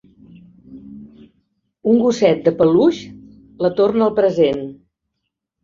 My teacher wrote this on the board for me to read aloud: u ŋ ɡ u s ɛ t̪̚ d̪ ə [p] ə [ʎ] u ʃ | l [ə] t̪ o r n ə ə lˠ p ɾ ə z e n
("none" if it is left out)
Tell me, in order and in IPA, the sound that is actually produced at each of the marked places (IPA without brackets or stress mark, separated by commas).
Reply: p, l, ə